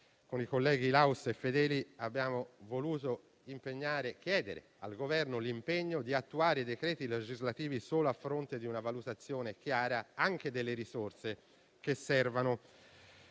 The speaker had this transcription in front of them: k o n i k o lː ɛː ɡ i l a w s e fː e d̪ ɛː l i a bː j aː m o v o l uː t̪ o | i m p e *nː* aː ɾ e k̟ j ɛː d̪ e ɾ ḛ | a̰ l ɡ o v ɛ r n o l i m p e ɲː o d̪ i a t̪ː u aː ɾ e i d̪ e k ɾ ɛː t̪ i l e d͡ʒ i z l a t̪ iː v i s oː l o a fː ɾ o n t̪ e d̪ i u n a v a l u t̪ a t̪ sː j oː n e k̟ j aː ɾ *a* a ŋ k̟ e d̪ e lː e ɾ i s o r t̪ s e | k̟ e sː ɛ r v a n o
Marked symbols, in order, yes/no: no, yes

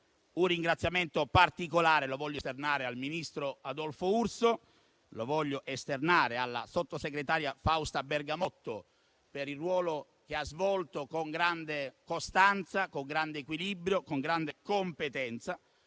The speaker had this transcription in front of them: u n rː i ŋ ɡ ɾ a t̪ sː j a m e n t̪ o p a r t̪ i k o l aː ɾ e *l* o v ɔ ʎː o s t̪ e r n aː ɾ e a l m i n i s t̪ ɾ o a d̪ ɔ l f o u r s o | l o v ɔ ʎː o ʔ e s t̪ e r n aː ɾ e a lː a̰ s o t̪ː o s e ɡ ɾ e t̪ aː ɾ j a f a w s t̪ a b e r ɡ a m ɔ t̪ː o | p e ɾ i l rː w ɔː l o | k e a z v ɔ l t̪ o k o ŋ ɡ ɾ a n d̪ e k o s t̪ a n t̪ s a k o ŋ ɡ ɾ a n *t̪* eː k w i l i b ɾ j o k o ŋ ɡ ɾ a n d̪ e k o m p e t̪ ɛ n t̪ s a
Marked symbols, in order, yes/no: yes, no

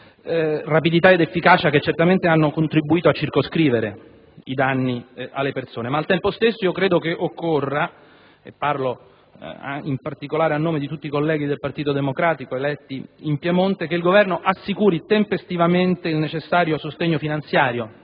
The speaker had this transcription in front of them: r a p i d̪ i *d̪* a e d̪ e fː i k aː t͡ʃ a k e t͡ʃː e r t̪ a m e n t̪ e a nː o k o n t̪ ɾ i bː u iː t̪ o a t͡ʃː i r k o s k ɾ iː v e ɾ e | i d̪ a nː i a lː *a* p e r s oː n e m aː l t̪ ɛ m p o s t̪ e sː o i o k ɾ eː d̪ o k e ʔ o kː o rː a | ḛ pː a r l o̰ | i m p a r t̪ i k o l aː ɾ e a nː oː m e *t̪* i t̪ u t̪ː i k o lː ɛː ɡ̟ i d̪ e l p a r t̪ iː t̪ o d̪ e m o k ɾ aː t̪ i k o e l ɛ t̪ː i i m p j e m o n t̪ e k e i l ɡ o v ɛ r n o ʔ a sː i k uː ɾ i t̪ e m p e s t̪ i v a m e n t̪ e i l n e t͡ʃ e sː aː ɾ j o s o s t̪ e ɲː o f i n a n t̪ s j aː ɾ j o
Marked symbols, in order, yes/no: no, no, no

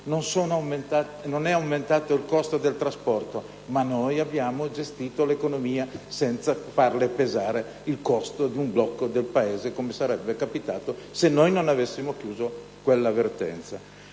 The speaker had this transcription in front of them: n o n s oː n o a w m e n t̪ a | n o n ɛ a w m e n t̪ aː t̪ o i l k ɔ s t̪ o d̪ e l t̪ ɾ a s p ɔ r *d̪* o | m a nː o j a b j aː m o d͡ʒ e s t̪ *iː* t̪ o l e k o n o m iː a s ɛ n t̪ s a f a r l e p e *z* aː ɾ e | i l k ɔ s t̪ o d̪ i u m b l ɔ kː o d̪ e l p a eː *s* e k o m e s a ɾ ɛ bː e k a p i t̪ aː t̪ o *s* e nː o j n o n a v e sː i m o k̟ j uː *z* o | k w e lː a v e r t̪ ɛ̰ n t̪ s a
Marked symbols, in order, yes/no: no, yes, yes, no, yes, yes

